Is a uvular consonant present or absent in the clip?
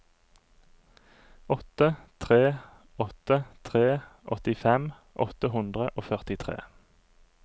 present